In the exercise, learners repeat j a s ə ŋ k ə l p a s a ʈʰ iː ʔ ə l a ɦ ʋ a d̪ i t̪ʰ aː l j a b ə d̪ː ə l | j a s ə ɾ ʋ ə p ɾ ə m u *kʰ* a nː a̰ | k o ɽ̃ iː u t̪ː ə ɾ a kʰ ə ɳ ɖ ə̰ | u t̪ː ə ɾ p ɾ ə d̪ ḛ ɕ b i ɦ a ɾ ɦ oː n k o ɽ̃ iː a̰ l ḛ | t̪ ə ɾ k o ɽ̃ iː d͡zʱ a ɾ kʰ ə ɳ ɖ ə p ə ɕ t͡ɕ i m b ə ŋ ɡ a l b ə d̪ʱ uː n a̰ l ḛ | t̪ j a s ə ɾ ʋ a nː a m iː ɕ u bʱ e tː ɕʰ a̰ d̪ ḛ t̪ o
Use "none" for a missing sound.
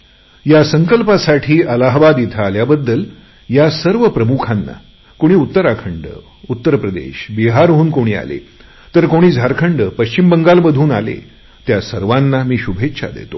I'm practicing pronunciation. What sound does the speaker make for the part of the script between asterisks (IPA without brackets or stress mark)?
kʰ